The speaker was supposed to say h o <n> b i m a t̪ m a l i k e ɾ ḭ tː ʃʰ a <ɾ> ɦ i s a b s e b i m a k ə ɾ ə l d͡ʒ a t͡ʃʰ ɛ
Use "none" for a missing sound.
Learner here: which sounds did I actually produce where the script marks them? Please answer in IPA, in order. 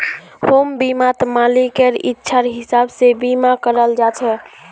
m, ɾ

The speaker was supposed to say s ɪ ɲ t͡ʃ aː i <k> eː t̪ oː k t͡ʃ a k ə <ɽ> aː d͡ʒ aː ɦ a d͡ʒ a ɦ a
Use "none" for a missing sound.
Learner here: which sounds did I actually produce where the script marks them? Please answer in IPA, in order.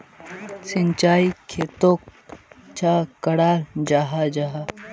kʰ, ɽ

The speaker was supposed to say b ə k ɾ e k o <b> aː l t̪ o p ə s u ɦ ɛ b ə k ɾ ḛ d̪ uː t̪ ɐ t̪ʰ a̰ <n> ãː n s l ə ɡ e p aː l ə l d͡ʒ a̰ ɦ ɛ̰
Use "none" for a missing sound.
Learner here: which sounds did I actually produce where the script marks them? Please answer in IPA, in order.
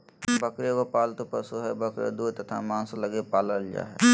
p, m

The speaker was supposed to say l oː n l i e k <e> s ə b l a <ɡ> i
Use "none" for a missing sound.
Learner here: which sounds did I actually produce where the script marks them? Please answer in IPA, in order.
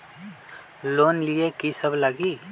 i, ɡ

